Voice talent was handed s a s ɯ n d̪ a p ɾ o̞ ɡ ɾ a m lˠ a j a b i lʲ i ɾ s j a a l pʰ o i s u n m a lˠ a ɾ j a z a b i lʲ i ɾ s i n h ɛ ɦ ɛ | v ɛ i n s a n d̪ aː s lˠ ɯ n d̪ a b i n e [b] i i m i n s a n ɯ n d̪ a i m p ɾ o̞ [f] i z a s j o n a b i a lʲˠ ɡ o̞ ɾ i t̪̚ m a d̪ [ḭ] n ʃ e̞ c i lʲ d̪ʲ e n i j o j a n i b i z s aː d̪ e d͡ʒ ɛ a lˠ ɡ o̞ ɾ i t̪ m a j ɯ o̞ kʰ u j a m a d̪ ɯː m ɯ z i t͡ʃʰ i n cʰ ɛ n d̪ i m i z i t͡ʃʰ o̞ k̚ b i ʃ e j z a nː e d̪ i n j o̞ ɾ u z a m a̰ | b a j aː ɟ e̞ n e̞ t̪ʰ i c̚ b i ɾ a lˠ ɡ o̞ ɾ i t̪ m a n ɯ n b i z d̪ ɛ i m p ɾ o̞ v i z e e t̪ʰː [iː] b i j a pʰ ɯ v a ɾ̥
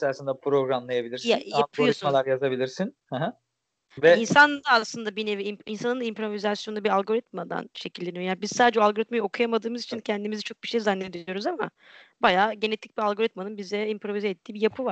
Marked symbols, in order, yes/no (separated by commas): no, no, no, yes